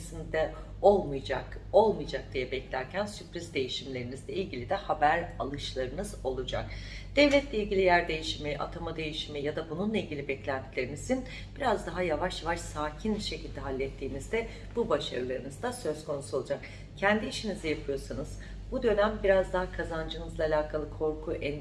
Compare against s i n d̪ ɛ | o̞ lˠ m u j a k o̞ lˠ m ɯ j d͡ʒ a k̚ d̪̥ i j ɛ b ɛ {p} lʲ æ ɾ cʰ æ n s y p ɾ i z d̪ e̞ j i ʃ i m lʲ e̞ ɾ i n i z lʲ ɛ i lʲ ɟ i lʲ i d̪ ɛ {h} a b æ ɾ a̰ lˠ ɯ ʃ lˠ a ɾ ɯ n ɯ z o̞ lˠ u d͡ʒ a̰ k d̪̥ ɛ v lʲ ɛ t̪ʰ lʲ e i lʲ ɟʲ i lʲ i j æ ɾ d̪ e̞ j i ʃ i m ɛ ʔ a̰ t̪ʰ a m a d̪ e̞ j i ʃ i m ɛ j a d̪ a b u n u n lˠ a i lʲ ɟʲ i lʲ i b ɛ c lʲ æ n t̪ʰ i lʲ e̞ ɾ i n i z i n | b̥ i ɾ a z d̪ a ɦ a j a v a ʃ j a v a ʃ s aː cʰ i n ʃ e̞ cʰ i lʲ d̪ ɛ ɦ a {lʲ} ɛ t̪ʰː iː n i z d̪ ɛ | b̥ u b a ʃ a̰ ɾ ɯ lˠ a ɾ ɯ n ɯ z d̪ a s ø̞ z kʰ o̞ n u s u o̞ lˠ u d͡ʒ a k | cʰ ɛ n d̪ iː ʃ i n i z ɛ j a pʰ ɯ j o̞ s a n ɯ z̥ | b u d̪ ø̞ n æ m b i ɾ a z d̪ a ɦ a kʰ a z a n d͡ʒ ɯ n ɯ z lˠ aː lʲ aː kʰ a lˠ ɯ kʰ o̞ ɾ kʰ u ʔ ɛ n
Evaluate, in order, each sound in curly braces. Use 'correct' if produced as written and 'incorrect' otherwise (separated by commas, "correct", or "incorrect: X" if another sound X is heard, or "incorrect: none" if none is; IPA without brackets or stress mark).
incorrect: c, correct, incorrect: lʲː